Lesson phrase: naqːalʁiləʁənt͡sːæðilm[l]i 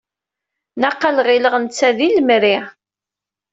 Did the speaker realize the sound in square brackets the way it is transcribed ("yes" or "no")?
no